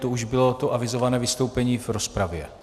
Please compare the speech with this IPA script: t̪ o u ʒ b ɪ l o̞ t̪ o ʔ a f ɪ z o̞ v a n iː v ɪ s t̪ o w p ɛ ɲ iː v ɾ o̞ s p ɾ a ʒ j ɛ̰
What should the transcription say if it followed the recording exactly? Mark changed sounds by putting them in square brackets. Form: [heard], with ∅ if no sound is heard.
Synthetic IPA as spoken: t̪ o u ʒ b ɪ l o̞ t̪ o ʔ a [v] ɪ z o̞ v a n [ɛː] v ɪ s t̪ o w p ɛ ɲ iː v ɾ o̞ s p ɾ a [v] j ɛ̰